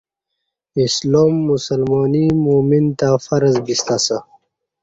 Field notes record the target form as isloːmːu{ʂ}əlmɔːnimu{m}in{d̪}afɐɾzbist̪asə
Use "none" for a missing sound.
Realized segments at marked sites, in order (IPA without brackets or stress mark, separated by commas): s, m, t̪